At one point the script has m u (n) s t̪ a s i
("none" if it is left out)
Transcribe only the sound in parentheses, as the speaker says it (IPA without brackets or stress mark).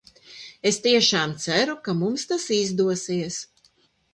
m